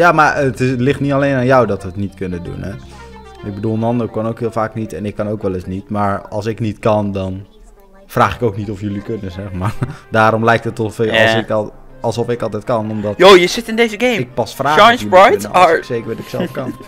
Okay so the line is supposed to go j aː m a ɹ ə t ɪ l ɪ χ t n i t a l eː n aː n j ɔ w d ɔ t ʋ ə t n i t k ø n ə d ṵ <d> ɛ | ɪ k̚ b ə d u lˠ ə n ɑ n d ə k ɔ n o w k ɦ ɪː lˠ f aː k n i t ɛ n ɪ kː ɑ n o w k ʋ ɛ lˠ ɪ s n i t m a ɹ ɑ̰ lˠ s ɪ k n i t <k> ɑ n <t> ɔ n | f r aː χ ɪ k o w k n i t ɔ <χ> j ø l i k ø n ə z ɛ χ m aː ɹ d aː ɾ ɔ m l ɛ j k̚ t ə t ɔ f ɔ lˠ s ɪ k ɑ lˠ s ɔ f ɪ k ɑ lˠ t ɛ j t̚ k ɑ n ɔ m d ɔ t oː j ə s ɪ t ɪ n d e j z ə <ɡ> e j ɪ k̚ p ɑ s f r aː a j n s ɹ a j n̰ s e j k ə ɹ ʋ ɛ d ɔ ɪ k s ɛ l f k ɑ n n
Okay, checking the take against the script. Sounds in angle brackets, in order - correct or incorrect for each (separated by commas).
incorrect, correct, incorrect, incorrect, correct